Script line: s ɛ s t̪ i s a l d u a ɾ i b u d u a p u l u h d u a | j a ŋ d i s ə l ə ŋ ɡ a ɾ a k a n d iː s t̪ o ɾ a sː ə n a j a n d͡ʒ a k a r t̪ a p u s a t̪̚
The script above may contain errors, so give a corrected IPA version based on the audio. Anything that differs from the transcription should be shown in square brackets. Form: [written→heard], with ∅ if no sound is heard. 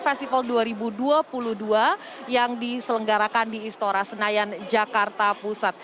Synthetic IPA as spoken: [s→f] ɛ s t̪ i [s→f] a l d u a ɾ i b u d u a p u l u h d u a | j a ŋ d i s ə l ə ŋ ɡ a ɾ a k a n d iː s t̪ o ɾ a [sː→s] ə n a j a n d͡ʒ a k a r t̪ a p u s a t̪̚